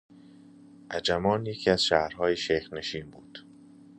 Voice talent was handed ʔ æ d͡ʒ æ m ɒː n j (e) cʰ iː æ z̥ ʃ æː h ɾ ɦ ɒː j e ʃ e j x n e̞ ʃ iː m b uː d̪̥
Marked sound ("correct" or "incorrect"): correct